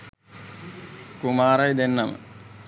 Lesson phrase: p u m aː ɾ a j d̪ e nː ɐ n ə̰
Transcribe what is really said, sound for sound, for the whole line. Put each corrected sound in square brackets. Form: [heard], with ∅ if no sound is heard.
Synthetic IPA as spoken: [k] u m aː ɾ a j d̪ e nː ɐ [m] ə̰

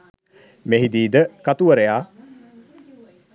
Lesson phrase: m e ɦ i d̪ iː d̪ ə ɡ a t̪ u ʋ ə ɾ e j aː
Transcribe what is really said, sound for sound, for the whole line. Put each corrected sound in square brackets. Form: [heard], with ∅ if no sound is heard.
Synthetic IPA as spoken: m e ɦ i d̪ iː d̪ ə [k] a t̪ u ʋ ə ɾ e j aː

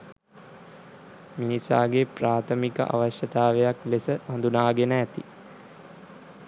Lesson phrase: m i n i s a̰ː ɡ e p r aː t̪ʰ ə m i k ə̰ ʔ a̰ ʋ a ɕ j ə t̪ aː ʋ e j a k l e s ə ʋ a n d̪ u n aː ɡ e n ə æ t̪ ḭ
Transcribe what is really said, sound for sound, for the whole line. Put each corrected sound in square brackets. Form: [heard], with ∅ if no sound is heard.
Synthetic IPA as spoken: m i n i s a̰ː ɡ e p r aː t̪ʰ ə m i k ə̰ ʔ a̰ ʋ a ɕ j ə t̪ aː ʋ e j a k l e s ə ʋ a n d̪ u n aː ɡ e n ə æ t̪ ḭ

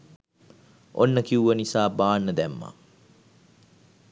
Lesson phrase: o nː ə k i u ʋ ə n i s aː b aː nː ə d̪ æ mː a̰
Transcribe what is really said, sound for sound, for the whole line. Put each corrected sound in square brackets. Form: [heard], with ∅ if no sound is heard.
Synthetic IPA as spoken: o nː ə k i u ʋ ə n i s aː b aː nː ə d̪ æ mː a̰

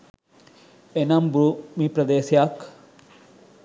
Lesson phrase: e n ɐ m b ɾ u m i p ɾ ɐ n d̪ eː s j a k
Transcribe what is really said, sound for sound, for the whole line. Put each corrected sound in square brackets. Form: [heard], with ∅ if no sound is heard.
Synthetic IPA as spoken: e n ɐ m b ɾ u m i p ɾ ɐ [∅] d̪ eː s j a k

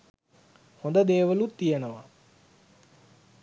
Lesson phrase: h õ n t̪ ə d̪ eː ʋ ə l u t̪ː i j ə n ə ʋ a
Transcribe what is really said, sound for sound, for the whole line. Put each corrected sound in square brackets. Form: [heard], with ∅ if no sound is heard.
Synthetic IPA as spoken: h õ n [d̪] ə d̪ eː ʋ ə l u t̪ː i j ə n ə ʋ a

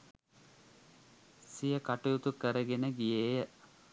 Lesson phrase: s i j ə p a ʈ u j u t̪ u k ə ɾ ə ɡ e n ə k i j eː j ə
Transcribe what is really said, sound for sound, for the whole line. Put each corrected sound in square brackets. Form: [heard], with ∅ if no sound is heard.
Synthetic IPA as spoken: s i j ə [k] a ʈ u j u t̪ u k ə ɾ ə ɡ e n ə [ɡ] i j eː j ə

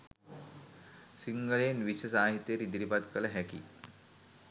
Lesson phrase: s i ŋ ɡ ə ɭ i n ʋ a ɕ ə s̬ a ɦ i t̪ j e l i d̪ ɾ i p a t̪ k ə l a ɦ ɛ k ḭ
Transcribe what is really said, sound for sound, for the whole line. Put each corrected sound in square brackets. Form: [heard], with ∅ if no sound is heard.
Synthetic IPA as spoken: s i ŋ ɡ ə ɭ [e] n ʋ [i] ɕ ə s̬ a ɦ i t̪ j e [ɾ] i d̪ ɾ i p a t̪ k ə l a ɦ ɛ k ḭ

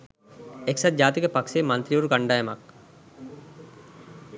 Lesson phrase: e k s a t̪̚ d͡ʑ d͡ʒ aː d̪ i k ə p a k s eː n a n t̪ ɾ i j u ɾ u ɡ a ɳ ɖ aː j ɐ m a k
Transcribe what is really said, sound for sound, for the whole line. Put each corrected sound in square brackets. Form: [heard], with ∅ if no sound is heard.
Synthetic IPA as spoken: e k s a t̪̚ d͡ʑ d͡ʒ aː [t̪] i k ə p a k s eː [m] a n t̪ ɾ i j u ɾ u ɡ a ɳ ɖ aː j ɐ m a k

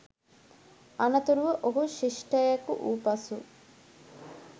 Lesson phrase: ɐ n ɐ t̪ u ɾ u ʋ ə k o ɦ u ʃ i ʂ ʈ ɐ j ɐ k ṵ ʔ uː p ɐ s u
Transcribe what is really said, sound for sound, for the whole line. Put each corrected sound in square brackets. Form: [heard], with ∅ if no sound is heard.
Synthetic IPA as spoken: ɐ n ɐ t̪ u ɾ u ʋ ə [ʔ] o ɦ u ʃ i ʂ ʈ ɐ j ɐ k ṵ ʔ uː p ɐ s u

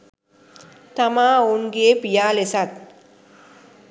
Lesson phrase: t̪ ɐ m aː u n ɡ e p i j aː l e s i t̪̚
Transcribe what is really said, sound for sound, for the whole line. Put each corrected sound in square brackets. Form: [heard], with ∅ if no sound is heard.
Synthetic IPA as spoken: t̪ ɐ m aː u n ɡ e p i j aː l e s [a] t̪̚

